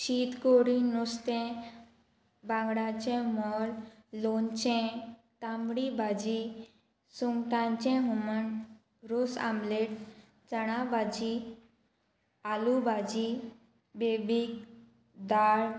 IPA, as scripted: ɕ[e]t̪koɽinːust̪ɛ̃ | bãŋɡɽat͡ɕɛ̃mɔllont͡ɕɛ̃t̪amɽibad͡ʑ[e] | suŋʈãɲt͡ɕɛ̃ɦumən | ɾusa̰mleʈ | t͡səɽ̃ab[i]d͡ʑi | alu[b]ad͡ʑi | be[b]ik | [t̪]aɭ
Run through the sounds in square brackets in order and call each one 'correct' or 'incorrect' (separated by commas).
incorrect, incorrect, incorrect, correct, correct, incorrect